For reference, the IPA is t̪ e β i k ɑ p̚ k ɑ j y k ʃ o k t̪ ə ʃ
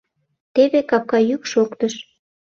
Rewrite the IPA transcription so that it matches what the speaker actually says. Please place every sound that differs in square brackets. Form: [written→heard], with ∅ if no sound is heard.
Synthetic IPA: t̪ e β [i→e] k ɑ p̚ k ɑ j y k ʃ o k t̪ ə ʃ

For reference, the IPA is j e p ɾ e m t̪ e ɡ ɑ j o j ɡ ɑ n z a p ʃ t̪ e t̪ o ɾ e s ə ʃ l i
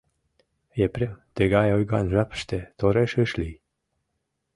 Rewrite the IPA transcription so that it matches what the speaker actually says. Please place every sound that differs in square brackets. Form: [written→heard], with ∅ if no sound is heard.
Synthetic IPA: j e p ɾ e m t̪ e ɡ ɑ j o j ɡ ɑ n [z→ʒ] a p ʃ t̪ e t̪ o ɾ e [s→ʃ] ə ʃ l i

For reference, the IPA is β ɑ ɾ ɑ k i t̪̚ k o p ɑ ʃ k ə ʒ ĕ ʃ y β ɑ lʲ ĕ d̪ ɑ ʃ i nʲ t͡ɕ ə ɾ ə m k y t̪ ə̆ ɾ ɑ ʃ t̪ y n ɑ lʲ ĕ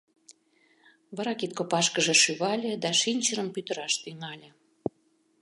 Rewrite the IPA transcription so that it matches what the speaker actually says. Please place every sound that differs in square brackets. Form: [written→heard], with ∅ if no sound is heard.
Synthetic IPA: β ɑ ɾ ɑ k i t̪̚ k o p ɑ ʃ k ə ʒ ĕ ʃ y β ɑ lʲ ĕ d̪ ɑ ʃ i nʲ t͡ɕ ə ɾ ə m [k→p] y t̪ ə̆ ɾ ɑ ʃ t̪ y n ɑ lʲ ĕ

